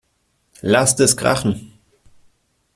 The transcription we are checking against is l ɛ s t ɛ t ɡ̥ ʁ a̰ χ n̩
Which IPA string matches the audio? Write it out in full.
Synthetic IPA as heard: l a s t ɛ s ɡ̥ ʁ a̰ χ n̩